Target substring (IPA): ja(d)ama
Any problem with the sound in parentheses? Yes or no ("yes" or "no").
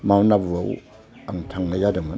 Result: no